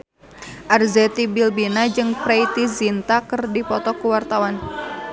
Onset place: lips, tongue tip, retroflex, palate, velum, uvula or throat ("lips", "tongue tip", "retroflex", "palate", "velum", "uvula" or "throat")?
throat